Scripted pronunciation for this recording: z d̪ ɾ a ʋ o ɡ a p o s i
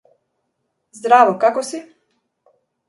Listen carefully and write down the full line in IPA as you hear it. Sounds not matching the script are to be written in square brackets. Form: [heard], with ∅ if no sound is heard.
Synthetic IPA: z d̪ ɾ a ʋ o [k] a [k] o s i